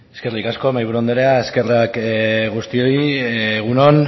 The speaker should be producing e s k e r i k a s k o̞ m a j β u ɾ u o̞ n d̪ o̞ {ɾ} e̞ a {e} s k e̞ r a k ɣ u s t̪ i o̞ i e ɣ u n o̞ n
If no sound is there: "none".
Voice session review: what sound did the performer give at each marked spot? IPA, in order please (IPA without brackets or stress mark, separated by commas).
ɾ, e